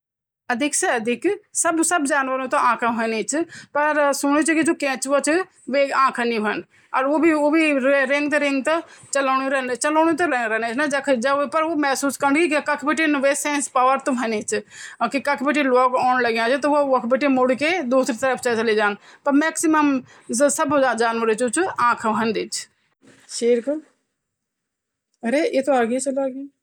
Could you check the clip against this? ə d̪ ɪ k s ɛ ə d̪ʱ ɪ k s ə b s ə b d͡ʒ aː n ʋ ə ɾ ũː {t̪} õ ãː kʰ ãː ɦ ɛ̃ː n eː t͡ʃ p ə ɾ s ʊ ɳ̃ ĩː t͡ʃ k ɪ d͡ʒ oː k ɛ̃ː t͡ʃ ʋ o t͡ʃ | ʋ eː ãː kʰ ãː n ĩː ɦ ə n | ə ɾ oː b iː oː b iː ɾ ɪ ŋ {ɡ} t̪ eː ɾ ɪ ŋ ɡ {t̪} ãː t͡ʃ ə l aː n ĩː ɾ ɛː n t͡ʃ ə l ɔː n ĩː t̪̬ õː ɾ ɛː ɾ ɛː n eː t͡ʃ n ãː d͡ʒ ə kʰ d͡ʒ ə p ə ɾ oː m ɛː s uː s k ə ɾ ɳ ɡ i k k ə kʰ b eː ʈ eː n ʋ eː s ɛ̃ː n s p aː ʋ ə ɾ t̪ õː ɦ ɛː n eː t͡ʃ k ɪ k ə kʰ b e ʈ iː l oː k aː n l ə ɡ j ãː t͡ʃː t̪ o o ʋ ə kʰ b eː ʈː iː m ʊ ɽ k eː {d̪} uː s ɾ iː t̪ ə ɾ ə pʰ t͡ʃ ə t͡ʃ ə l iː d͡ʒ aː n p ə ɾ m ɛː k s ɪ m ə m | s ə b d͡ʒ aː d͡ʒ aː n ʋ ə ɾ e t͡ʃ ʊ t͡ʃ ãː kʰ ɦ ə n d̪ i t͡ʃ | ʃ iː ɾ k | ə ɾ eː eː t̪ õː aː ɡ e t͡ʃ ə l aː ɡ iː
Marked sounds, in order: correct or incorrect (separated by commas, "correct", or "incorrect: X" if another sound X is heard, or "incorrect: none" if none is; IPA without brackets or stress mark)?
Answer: correct, correct, correct, correct